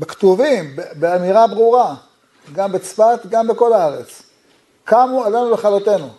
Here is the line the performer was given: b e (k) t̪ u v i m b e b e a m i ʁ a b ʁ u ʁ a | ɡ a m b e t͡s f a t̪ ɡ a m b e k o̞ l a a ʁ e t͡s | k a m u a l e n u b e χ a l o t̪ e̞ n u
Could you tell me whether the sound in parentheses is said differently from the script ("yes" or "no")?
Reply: no